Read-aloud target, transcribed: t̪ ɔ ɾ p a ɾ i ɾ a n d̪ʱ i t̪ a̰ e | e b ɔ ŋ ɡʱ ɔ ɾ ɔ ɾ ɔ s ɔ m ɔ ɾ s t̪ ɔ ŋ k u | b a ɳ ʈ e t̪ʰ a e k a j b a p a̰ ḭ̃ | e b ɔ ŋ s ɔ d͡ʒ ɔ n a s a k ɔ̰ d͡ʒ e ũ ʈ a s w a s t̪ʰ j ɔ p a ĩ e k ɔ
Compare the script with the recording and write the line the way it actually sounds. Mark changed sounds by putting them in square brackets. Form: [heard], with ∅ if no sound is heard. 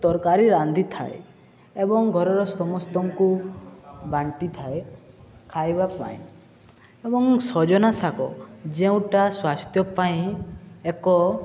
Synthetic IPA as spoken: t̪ ɔ ɾ [k] a ɾ i ɾ a n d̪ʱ i [t̪ʰ] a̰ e | e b ɔ ŋ ɡʱ ɔ ɾ ɔ ɾ ɔ s ɔ m ɔ [∅] s t̪ ɔ ŋ k u | b a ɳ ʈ [i] t̪ʰ a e [kʰ] a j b a p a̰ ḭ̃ | e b ɔ ŋ s ɔ d͡ʒ ɔ n a s a k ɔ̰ d͡ʒ e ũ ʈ a s w a s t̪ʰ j ɔ p a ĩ e k ɔ

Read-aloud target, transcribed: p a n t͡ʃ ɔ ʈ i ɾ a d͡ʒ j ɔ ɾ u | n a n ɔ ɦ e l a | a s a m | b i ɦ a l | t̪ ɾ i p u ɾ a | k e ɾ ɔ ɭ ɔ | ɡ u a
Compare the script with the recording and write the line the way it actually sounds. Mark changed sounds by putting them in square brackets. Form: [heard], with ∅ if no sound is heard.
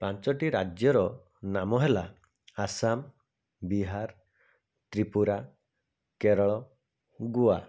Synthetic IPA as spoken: p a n t͡ʃ ɔ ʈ i ɾ a d͡ʒ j ɔ ɾ [ɔ] | n a [m] ɔ ɦ e l a | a s a m | b i ɦ a [ɾ] | t̪ ɾ i p u ɾ a | k e ɾ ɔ ɭ ɔ | ɡ u a

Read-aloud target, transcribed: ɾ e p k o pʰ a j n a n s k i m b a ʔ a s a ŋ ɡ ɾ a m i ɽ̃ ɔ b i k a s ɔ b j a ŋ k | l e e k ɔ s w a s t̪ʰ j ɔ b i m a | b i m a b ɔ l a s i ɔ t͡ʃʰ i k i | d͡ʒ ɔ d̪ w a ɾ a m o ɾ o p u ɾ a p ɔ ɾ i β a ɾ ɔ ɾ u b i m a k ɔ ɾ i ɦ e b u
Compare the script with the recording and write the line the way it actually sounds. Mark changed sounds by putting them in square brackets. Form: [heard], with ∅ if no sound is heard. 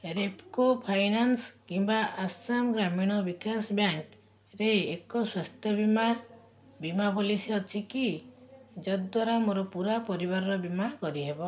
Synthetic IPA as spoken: ɾ e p k o pʰ a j n a n s k i m b a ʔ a s a [m] ɡ ɾ a m i ɽ̃ ɔ b i k a s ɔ b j a ŋ k | [ɾ] e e k ɔ s w a s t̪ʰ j ɔ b i m a | b i m a b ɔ l [i] s i ɔ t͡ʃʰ i k i | d͡ʒ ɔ d̪ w a ɾ a m o ɾ [ɔ] p u ɾ a p ɔ ɾ i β a ɾ ɔ ɾ [ɔ] b i m a k ɔ ɾ i ɦ e b [ɔ]

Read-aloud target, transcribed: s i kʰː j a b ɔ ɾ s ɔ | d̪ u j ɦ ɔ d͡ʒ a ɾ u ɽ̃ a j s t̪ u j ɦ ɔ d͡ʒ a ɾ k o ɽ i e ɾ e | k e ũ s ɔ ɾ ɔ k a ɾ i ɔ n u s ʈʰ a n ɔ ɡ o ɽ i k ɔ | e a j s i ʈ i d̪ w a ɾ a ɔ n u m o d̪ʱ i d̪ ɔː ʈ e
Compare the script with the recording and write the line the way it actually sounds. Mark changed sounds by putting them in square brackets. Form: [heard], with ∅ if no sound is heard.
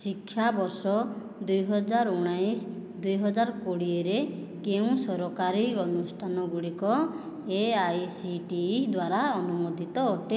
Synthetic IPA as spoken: s i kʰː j a b ɔ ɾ s ɔ | d̪ u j ɦ ɔ d͡ʒ a ɾ u ɽ̃ a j s [d̪] u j ɦ ɔ d͡ʒ a ɾ k o ɽ i e ɾ e | k e ũ s ɔ ɾ ɔ k a ɾ i ɔ n u s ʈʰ a n ɔ ɡ [u] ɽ i k ɔ | e a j s i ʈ i d̪ w a ɾ a ɔ n u m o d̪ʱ i [t̪] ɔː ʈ e

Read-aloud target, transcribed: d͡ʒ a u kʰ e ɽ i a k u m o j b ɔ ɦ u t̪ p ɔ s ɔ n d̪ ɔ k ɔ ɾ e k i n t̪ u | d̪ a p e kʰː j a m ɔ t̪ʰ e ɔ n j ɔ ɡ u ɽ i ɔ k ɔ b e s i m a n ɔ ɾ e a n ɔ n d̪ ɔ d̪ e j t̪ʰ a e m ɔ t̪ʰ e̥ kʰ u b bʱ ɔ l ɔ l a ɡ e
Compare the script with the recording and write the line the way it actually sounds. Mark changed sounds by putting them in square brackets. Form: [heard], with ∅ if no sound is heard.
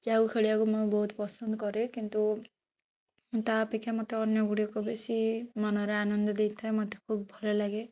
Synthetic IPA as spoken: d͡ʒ a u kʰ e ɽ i a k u m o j b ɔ ɦ u t̪ p ɔ s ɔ n d̪ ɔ k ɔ ɾ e k i n t̪ u | [t̪] a p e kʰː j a m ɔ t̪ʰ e ɔ n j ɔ ɡ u ɽ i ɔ k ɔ b e s i m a n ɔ ɾ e a n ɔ n d̪ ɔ d̪ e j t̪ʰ a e m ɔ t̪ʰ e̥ kʰ u b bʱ ɔ l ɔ l a ɡ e

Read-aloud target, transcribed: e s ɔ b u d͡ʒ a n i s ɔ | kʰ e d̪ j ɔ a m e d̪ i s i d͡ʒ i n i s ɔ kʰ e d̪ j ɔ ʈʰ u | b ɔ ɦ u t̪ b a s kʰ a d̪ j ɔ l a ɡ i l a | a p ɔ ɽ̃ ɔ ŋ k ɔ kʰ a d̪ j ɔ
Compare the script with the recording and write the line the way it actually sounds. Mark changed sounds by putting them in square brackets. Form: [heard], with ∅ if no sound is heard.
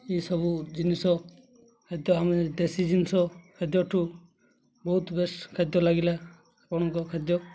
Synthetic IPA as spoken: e s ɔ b u d͡ʒ [i] n i s ɔ | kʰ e d̪ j ɔ a m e d̪ [e] s i d͡ʒ i n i s ɔ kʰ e d̪ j ɔ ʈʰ u | b ɔ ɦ u t̪ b [e] s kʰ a d̪ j ɔ l a ɡ i l a | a p ɔ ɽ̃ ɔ ŋ k ɔ kʰ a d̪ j ɔ

